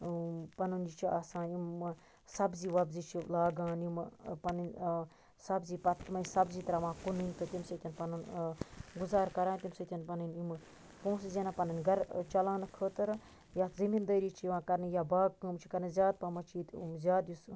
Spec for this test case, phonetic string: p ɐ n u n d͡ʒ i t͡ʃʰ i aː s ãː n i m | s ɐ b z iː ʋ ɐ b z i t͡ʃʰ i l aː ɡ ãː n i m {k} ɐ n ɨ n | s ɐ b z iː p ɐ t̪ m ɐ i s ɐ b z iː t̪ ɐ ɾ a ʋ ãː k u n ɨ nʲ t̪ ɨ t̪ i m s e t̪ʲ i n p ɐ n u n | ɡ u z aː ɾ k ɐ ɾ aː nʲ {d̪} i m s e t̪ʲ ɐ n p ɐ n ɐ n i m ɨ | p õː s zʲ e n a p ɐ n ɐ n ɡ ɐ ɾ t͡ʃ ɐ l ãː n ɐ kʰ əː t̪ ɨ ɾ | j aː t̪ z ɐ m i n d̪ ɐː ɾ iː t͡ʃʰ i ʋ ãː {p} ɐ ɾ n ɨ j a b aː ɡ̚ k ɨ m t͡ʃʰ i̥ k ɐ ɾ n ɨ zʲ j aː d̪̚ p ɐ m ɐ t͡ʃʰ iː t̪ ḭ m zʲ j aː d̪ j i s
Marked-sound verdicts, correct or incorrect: incorrect: p, incorrect: t̪, incorrect: k

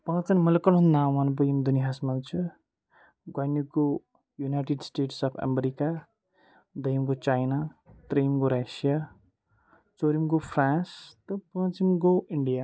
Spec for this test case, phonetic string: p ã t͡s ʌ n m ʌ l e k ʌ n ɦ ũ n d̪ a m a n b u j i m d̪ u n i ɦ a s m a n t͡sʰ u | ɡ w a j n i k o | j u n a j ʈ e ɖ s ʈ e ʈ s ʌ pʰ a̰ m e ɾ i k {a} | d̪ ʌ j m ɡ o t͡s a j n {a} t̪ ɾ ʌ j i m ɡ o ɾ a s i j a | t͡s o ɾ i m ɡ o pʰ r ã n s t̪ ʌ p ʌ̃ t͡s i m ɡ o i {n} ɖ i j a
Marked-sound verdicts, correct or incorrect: correct, correct, incorrect: ɳ

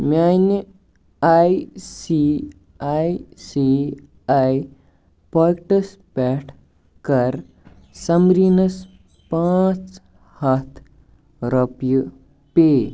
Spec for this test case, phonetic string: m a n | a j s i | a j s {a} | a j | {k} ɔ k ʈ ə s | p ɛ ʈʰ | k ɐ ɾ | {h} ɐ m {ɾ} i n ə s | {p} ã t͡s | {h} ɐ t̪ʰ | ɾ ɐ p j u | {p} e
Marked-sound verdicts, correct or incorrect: incorrect: i, incorrect: p, incorrect: s, correct, correct, correct, correct

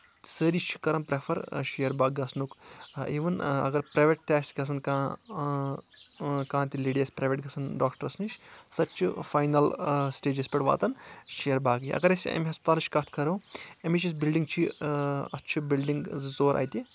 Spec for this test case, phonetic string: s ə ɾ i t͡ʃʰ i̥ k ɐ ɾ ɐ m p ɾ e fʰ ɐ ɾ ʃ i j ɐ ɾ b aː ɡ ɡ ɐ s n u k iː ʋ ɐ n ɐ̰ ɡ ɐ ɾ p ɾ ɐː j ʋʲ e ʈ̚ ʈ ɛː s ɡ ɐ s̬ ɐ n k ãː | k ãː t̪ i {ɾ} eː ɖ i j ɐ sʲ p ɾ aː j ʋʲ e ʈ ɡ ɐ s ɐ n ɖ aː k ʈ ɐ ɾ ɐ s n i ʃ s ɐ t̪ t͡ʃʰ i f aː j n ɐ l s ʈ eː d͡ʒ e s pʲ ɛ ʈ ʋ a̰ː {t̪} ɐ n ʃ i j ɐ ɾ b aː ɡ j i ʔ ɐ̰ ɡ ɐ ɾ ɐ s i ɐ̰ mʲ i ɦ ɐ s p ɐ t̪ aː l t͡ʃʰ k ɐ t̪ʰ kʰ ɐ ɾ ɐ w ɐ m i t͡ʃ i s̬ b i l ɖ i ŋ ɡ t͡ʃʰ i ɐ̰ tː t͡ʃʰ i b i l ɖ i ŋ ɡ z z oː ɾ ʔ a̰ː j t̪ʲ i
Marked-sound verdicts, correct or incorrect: incorrect: l, correct

